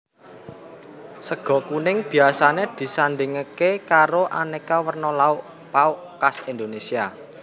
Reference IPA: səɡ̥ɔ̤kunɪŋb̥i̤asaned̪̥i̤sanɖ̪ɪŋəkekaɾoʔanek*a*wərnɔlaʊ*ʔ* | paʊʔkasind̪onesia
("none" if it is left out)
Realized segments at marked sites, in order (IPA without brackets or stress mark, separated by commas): a, ʔ